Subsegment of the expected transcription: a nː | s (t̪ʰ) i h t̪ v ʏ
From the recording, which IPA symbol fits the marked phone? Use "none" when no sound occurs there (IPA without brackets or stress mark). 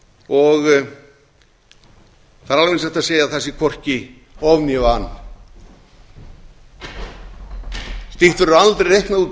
t̪